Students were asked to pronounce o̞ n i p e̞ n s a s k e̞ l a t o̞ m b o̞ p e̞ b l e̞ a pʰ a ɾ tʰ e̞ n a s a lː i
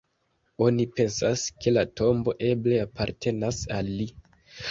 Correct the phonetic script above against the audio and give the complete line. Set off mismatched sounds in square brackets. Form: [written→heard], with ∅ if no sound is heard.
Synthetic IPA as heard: o̞ n i p e̞ n s a s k e̞ l a t o̞ m b o̞ [p→ʔ] e̞ b l e̞ a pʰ a ɾ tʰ e̞ n a s a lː i